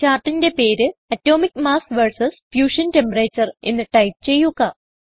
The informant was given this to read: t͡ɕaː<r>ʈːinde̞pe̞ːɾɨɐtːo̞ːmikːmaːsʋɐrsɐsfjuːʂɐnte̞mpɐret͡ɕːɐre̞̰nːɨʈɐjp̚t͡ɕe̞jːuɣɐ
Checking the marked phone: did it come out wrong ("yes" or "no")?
no